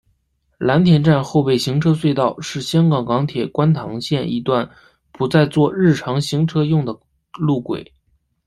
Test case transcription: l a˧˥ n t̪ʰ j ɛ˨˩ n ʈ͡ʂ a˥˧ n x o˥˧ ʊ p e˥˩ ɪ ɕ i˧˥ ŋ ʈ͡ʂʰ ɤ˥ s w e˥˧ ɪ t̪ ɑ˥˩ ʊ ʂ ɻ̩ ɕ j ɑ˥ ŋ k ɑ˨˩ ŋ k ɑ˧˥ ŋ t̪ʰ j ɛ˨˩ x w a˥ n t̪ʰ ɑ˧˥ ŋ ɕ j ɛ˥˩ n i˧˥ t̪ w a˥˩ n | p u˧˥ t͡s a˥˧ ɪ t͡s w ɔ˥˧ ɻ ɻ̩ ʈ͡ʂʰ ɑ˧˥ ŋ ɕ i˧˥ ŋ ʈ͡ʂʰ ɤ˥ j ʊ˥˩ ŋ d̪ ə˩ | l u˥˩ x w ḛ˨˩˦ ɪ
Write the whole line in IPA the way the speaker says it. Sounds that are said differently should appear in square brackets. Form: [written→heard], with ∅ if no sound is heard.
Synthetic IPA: l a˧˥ n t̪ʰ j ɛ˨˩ n ʈ͡ʂ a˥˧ n x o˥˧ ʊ p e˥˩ ɪ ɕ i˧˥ ŋ ʈ͡ʂʰ ɤ˥ s w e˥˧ ɪ t̪ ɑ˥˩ ʊ ʂ ɻ̩ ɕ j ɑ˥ ŋ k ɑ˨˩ ŋ k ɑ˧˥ ŋ t̪ʰ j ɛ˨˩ [x→k] w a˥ n t̪ʰ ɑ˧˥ ŋ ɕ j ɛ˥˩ n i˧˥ t̪ w a˥˩ n | p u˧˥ t͡s a˥˧ ɪ t͡s w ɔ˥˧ ɻ ɻ̩ ʈ͡ʂʰ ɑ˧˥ ŋ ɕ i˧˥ ŋ ʈ͡ʂʰ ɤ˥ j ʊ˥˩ ŋ d̪ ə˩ | l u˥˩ [x→k] w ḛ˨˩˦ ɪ